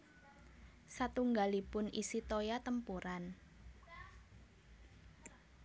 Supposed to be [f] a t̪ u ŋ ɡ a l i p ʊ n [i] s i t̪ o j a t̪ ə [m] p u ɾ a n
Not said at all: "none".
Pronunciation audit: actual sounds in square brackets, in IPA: s, i, m

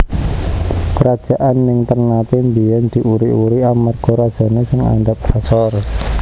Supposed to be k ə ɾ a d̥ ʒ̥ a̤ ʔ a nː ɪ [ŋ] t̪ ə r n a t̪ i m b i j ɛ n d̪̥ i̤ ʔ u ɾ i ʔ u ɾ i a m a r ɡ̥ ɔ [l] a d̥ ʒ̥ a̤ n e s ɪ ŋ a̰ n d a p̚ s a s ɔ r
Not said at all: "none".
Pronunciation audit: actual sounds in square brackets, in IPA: ŋ, ɾ

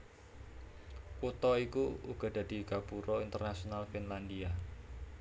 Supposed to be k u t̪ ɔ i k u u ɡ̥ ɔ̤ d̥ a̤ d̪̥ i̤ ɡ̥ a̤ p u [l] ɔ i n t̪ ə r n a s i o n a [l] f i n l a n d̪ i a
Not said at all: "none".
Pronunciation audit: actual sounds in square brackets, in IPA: ɾ, l

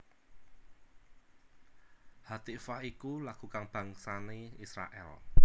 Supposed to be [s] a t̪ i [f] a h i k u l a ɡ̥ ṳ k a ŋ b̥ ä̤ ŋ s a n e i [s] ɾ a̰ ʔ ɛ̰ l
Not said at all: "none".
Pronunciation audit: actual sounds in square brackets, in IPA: h, f, s

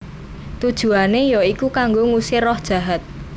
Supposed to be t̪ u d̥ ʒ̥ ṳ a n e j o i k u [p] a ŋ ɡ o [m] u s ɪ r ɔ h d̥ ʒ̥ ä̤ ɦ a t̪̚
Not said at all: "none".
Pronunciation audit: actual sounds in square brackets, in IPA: k, ŋ

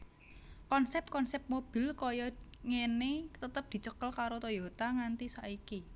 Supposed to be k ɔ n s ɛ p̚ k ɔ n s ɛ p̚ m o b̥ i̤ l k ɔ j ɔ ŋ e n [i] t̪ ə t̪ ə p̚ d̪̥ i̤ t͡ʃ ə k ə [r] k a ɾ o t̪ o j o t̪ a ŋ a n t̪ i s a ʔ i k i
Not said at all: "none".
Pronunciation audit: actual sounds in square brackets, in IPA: e, l

